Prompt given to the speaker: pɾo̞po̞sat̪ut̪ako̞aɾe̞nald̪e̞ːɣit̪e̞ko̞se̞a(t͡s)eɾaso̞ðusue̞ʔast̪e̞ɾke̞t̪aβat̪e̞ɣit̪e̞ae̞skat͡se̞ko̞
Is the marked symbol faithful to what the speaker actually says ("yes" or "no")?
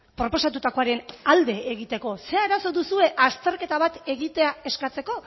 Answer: no